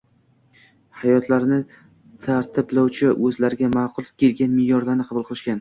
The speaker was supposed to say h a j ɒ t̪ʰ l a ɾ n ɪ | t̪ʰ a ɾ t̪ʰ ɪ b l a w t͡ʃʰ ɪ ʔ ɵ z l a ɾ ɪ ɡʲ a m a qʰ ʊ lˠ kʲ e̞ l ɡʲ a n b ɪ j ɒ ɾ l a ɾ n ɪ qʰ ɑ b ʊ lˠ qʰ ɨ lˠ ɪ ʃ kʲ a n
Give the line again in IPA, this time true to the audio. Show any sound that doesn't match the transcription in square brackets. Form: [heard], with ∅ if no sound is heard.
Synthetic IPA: h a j ɒ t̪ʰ l a ɾ n ɪ | t̪ʰ a ɾ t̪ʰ ɪ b l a w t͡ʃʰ ɪ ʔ ɵ z l a ɾ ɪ ɡʲ a m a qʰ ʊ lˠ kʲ e̞ l ɡʲ a n [m] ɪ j ɒ ɾ l a ɾ n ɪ qʰ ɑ b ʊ lˠ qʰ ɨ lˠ ɪ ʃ kʲ a n